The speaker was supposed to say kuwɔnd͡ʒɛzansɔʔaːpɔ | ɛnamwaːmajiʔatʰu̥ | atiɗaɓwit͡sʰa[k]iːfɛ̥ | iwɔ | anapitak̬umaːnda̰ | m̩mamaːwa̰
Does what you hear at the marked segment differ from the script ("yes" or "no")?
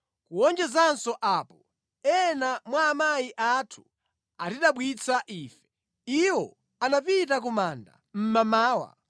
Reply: yes